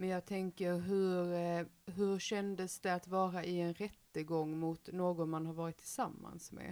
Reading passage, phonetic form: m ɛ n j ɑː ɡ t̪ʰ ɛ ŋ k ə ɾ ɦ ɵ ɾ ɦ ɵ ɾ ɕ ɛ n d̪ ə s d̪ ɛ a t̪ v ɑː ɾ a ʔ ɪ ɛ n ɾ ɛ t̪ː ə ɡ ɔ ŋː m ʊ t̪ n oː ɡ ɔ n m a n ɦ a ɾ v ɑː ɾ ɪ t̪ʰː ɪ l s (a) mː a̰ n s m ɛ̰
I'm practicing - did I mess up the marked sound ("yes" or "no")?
no